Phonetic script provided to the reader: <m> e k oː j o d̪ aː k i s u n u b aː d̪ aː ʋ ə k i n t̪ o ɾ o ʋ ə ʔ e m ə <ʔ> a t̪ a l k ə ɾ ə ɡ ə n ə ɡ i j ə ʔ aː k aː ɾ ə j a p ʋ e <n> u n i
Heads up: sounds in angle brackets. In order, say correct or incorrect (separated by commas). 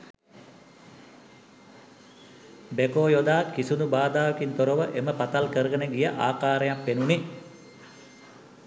incorrect, incorrect, correct